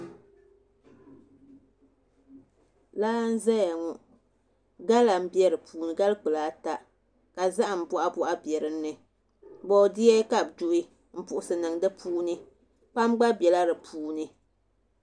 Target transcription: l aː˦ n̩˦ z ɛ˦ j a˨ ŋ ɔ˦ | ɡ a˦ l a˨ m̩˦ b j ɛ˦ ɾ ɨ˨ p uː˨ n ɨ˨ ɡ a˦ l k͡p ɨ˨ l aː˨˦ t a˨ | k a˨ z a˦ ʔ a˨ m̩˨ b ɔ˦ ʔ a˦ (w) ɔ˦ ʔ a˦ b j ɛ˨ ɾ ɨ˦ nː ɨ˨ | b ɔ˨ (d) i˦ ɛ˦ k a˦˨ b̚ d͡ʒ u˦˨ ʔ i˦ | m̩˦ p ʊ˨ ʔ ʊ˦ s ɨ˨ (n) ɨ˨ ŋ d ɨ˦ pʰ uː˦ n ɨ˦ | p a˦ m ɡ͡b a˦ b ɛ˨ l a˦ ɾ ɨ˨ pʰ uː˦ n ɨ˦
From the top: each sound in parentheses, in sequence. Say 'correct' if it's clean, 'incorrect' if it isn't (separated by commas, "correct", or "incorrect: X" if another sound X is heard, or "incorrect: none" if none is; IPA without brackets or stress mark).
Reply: incorrect: b, correct, correct